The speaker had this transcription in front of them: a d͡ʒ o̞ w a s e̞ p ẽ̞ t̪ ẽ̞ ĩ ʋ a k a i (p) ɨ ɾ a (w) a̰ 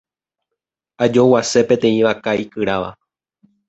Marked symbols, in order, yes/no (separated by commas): no, no